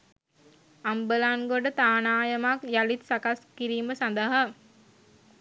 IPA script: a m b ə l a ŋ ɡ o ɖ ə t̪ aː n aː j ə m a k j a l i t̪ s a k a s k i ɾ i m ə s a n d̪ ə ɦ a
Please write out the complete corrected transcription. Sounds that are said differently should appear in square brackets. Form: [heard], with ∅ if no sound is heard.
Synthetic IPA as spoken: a m b ə l a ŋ ɡ o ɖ ə t̪ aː n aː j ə m a k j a l i t̪ s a k a s k i ɾ [iː] m ə s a n d̪ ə ɦ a